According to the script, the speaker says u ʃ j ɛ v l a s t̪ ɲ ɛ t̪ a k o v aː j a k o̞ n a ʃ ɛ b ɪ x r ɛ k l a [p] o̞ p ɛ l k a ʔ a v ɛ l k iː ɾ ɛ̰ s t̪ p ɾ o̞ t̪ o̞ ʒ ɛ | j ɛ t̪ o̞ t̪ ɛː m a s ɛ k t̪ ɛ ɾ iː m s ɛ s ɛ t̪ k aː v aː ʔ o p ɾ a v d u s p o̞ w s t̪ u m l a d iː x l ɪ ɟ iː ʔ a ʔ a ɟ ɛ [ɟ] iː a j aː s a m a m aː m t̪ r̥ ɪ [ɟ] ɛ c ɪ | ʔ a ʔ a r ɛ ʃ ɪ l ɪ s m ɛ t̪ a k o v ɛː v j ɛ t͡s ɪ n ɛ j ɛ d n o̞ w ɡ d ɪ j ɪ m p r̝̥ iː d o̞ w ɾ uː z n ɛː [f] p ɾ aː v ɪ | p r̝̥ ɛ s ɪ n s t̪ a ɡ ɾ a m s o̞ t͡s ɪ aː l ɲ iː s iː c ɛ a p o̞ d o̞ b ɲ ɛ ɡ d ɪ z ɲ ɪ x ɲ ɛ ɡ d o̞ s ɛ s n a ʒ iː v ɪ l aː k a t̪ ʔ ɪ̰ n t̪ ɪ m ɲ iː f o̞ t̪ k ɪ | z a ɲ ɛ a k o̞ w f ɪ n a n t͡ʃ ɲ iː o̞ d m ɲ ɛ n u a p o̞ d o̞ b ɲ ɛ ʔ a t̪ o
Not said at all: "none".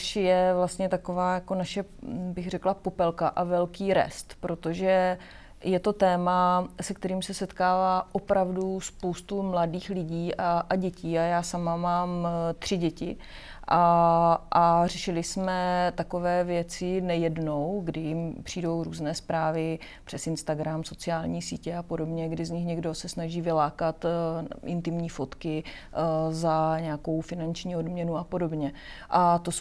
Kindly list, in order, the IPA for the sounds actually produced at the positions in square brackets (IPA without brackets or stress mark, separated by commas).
p, c, ɟ, s